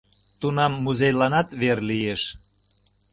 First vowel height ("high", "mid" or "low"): high